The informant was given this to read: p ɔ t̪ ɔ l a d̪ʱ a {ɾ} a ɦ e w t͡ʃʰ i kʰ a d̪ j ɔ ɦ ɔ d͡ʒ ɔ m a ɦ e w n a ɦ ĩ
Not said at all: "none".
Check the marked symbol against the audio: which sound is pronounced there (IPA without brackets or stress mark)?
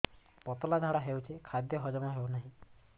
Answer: ɽ